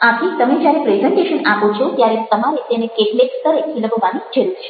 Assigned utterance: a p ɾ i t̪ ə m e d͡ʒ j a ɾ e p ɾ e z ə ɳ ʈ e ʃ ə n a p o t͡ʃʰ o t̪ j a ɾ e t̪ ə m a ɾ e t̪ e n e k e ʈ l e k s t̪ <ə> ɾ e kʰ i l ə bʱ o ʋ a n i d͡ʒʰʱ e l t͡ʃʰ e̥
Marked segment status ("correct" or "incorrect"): correct